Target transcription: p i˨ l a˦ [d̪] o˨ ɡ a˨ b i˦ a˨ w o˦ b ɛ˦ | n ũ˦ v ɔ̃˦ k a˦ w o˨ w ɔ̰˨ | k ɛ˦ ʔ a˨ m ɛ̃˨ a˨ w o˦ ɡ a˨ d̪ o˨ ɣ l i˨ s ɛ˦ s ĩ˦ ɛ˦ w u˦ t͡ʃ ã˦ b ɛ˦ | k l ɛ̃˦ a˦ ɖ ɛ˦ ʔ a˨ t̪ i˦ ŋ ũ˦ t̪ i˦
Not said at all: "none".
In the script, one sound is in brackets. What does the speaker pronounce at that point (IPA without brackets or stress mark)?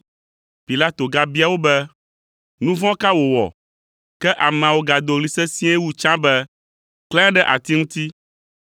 t̪